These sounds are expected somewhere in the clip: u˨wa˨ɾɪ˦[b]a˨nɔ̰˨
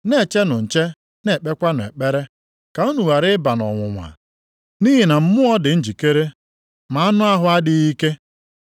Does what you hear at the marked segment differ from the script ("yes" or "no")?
no